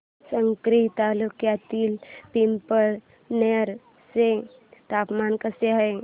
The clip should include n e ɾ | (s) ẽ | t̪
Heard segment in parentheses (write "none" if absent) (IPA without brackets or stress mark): s